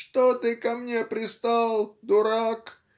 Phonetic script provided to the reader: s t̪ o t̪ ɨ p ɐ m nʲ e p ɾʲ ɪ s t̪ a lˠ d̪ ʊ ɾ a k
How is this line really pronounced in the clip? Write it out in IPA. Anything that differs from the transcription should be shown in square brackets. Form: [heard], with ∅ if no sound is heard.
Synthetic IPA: [ʂ] t̪ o t̪ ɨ [k] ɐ m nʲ e p ɾʲ ɪ s t̪ a lˠ d̪ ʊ ɾ a k

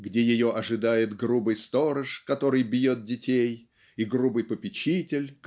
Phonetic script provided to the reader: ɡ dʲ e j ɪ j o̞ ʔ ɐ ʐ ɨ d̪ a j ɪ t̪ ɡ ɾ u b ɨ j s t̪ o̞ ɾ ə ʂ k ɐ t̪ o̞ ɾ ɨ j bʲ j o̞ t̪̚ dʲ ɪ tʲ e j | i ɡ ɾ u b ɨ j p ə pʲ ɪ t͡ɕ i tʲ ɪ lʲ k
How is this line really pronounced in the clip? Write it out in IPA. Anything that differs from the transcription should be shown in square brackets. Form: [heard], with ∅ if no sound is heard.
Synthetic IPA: ɡ dʲ e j ɪ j o̞ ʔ ɐ ʐ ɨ d̪ a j ɪ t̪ ɡ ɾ u b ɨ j s t̪ o̞ ɾ ə ʂ k ɐ t̪ o̞ ɾ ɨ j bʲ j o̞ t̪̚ dʲ ɪ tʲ e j | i ɡ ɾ u b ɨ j p ə pʲ ɪ t͡ɕ i tʲ ɪ lʲ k

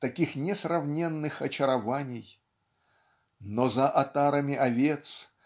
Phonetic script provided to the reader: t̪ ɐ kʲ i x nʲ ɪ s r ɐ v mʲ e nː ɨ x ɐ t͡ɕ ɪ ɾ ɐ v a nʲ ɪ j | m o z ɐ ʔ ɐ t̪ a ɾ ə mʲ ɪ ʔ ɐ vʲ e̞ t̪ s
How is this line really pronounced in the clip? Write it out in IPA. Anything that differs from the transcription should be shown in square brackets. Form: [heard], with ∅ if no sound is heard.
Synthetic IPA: t̪ ɐ kʲ i x nʲ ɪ s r ɐ v [nʲ] e nː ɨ x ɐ t͡ɕ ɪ ɾ ɐ v a nʲ ɪ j | [n] o z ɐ ʔ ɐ t̪ a ɾ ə mʲ ɪ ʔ ɐ vʲ e̞ t̪ s

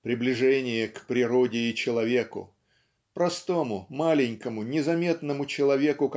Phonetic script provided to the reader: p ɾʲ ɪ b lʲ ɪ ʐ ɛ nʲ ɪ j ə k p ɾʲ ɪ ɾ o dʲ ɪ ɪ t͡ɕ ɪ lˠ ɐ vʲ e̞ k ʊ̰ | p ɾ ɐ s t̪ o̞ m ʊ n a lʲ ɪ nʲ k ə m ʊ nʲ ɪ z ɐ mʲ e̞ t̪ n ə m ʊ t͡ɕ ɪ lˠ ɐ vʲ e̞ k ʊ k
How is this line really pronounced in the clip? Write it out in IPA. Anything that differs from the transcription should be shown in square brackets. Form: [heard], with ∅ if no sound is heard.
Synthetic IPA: p ɾʲ ɪ b lʲ ɪ ʐ ɛ nʲ ɪ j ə k p ɾʲ ɪ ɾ o dʲ ɪ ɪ t͡ɕ ɪ lˠ ɐ vʲ e̞ k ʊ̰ | p ɾ ɐ s t̪ o̞ m ʊ [m] a lʲ ɪ nʲ k ə m ʊ nʲ ɪ z ɐ mʲ e̞ t̪ n ə m ʊ t͡ɕ ɪ lˠ ɐ vʲ e̞ k ʊ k

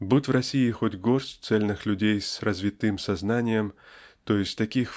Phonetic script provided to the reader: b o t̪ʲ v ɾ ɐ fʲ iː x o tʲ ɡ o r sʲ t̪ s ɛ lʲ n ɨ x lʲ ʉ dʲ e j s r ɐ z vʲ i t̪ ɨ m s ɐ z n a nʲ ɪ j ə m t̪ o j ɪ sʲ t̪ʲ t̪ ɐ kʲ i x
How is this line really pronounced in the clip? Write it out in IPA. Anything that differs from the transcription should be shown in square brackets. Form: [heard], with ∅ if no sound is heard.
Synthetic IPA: b [u] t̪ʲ v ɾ ɐ [sʲ] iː x o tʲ ɡ o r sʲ t̪ s ɛ lʲ n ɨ x lʲ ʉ dʲ e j s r ɐ z vʲ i t̪ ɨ m s ɐ z n a nʲ ɪ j ə m t̪ o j ɪ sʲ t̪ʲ t̪ ɐ kʲ i x

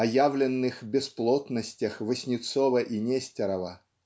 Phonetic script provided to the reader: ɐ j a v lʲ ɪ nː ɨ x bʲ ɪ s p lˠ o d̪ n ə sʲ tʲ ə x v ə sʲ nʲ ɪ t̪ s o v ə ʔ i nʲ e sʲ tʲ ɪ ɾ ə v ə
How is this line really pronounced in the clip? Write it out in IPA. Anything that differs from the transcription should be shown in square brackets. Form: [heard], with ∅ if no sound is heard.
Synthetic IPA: ɐ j a v lʲ ɪ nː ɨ x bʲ ɪ s p lˠ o [t̪] n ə sʲ tʲ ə x v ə sʲ nʲ ɪ t̪ s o v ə ʔ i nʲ e sʲ tʲ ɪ ɾ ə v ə

